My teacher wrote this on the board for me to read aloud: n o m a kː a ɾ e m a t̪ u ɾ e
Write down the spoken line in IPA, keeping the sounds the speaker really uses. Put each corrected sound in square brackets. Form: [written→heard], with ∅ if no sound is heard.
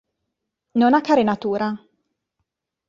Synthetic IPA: n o [m→n] a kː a ɾ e [m→n] a t̪ [u→uː] ɾ [e→a]